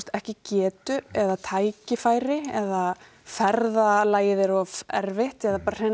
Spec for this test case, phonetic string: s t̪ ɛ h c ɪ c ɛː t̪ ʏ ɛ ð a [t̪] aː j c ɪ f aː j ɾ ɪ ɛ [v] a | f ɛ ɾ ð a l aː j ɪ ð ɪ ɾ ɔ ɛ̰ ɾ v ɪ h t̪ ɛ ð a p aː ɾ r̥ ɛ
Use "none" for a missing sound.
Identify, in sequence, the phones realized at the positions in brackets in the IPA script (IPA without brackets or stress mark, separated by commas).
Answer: t̪ʰ, ð